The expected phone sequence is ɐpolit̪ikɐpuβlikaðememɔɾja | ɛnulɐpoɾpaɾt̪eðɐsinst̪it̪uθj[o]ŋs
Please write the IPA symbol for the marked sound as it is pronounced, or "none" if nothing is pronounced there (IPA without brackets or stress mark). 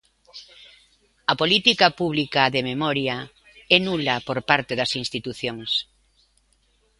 o